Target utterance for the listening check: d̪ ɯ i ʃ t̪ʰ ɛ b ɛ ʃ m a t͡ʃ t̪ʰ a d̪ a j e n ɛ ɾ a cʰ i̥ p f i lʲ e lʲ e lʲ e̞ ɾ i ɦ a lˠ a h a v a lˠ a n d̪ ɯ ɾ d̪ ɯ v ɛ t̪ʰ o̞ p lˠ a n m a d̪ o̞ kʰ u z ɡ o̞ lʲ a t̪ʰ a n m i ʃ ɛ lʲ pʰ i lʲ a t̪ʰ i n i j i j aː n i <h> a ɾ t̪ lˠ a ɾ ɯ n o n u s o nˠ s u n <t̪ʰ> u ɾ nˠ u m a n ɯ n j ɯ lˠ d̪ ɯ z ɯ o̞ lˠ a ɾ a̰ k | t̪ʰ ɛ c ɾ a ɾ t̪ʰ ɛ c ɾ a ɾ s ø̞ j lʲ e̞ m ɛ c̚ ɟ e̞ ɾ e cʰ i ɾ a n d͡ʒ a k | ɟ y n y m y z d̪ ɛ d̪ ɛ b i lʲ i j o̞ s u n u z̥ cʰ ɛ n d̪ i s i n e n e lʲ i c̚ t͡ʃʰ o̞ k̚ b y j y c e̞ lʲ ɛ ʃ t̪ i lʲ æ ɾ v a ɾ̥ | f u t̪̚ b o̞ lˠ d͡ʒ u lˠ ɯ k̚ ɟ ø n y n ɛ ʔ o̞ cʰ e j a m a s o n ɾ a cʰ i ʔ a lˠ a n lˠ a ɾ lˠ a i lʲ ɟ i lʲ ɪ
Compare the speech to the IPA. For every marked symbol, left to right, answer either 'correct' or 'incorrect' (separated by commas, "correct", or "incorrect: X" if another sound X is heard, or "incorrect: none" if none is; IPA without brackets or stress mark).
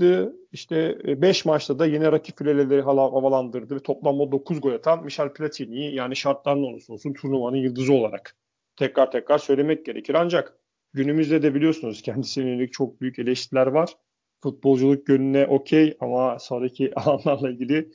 incorrect: ʃ, correct